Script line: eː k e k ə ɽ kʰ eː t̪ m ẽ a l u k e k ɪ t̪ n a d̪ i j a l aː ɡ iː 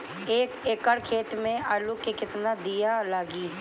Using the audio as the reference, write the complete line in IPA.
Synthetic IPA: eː k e k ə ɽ kʰ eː t̪ m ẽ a l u k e k ɪ t̪ n a d̪ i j a l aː ɡ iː

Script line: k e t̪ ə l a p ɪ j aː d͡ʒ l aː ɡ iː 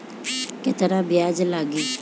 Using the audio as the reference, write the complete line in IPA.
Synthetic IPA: k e t̪ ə ɾ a b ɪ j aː d͡ʒ l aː ɡ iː

